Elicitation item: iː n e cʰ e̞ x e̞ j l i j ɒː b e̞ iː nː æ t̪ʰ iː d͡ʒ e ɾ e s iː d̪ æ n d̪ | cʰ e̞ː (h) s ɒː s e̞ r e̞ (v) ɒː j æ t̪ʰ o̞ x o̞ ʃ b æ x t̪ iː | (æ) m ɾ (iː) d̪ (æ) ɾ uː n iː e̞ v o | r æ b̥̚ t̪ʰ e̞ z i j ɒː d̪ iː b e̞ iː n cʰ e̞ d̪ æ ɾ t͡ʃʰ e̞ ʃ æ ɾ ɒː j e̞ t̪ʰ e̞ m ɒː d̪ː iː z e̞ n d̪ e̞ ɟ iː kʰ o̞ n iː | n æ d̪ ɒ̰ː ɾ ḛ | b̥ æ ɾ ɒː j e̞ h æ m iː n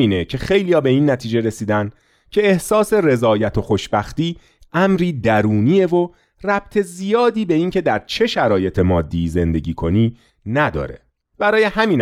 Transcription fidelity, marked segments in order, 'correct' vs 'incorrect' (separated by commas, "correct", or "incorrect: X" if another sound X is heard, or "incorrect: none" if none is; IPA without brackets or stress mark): correct, incorrect: z, correct, correct, correct